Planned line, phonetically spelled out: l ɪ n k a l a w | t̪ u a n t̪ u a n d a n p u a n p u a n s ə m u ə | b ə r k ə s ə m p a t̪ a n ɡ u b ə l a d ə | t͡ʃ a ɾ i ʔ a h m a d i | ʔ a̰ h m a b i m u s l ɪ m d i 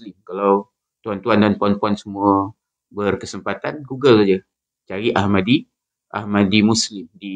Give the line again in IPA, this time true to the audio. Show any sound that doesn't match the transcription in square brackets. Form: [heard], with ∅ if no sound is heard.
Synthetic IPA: l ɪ [m] k a l a w | t̪ u a n t̪ u a n d a n p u a n p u a n s ə m u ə | b ə r k ə s ə m p a t̪ a n ɡ u [ɡ] ə l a [d͡ʒ] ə | t͡ʃ a ɾ i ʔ a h m a d i | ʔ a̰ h m a [d] i m u s l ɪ m d i